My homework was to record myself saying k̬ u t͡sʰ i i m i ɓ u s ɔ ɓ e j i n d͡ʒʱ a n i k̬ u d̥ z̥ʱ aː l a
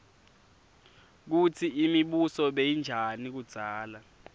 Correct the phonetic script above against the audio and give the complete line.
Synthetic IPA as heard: k̬ u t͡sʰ i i m i ɓ u s ɔ ɓ e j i n d͡ʒʱ a n i k̬ u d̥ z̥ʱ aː l a